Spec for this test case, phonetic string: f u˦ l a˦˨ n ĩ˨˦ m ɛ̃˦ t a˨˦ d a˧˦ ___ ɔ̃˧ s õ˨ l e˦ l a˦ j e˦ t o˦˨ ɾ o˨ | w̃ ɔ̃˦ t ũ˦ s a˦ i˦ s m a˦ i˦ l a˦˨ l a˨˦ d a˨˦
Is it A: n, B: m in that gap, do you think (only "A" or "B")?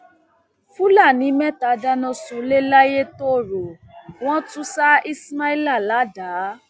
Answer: A